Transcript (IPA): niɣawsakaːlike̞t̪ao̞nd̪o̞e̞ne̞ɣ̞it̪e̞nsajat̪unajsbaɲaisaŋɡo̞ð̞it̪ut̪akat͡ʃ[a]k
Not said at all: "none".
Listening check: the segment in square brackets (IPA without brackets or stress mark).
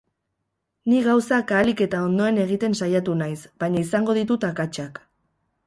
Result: a